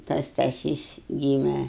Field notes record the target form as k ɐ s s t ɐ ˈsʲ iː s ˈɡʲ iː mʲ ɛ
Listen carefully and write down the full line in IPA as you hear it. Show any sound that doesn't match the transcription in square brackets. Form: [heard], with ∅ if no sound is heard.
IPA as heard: [t] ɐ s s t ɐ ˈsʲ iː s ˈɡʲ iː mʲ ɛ